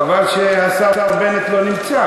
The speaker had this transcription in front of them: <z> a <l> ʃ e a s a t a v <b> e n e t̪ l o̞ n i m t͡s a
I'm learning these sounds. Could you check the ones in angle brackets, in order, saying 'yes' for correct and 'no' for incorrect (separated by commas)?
no, yes, yes